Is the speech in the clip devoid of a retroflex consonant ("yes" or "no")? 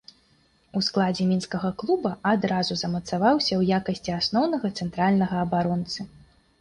yes